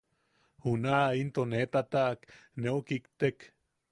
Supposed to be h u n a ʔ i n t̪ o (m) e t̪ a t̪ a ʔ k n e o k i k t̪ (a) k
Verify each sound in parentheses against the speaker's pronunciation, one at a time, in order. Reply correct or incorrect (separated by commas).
incorrect, incorrect